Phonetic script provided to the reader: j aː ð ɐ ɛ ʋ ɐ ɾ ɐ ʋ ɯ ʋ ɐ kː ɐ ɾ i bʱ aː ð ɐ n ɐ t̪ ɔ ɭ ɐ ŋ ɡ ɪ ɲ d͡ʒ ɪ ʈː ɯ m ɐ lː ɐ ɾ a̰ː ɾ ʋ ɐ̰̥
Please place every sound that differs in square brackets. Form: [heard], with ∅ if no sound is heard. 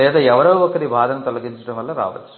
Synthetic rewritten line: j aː ð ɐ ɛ ʋ ɐ ɾ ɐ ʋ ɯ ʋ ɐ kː ɐ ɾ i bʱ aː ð ɐ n ɐ t̪ ɔ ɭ ɐ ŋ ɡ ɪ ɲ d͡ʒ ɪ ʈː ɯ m ɐ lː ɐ ɾ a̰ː [∅] ʋ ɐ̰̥

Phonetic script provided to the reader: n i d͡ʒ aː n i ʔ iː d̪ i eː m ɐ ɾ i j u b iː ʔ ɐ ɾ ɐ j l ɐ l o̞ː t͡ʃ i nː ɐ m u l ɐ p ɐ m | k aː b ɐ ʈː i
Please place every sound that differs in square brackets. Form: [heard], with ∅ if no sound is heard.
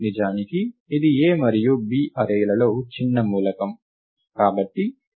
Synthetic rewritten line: n i d͡ʒ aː n i [k] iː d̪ i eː m ɐ ɾ i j u b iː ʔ ɐ ɾ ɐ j l ɐ l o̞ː t͡ʃ i nː ɐ m [uː] l ɐ [k] ɐ m | k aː b ɐ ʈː i

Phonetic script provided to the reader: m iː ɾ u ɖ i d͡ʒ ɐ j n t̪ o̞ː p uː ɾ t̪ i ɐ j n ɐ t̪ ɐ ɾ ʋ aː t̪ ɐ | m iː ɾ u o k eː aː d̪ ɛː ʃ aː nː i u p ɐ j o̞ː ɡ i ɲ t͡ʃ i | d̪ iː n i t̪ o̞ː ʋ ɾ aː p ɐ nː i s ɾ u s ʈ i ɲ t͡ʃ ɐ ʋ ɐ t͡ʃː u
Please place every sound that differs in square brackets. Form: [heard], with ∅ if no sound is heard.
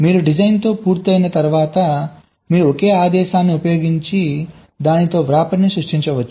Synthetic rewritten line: m iː ɾ u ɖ i d͡ʒ ɐ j n t̪ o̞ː p uː ɾ t̪ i ɐ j n ɐ t̪ ɐ ɾ ʋ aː t̪ ɐ | m iː ɾ u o k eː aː d̪ ɛː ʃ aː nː i u p ɐ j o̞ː ɡ i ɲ t͡ʃ i | d̪ [aː] n i t̪ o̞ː ʋ ɾ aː p ɐ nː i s ɾ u [ʂ] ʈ i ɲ t͡ʃ ɐ ʋ ɐ t͡ʃː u

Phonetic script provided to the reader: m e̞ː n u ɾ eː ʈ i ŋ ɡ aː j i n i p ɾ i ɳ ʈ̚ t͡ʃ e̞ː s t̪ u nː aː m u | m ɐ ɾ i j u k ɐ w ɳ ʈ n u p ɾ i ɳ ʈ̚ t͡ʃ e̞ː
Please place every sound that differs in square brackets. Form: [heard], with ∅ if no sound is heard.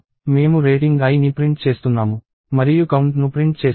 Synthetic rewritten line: m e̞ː [m] u ɾ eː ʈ i ŋ ɡ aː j i n i p ɾ i ɳ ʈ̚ t͡ʃ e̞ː s t̪ u nː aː m u | m ɐ ɾ i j u k ɐ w ɳ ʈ n u p ɾ i ɳ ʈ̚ t͡ʃ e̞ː

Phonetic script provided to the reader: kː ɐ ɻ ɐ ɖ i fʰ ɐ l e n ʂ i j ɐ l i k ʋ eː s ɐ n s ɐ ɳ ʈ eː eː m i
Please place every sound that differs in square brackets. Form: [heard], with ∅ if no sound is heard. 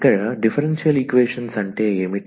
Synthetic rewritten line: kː ɐ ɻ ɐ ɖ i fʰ ɐ [ɾ] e n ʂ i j ɐ l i k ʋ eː [ʂ] ɐ n s ɐ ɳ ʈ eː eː m i

